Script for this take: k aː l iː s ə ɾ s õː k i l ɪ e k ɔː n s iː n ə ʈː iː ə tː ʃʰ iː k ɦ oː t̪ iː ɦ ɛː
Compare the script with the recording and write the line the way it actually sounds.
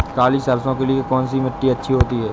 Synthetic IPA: k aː l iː s ə ɾ s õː k e l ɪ e k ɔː n s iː m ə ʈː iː ə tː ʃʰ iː ɦ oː t̪ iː ɦ ɛː